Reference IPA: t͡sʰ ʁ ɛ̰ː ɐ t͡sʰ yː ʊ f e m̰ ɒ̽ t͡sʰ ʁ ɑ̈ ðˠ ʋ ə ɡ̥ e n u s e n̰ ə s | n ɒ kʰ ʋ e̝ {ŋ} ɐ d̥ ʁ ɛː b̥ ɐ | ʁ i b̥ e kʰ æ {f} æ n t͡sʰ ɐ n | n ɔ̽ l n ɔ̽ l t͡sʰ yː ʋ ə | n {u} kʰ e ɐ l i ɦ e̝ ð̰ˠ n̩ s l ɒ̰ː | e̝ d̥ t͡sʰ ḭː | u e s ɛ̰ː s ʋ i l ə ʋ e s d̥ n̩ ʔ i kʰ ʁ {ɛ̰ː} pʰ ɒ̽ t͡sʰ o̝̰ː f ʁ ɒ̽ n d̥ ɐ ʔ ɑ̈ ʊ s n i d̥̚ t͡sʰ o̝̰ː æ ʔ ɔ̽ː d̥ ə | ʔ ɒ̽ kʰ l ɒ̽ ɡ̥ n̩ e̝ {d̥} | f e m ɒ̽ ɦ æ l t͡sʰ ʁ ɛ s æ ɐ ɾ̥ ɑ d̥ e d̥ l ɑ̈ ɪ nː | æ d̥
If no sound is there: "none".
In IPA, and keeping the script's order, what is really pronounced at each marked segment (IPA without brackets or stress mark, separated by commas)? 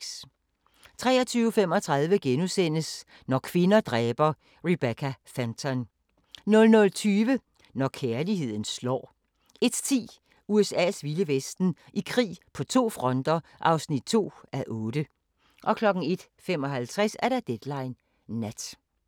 n, f, ɒ, ḭː, d̥